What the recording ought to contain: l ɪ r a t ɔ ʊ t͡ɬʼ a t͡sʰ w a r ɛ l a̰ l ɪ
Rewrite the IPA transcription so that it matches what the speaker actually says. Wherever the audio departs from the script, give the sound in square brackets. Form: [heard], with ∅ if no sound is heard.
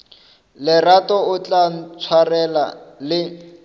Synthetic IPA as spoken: l ɪ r a t ɔ ʊ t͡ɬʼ a t͡sʰ w a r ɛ l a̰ l ɪ